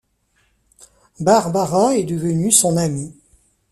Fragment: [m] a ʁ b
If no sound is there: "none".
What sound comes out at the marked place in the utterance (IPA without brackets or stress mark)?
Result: b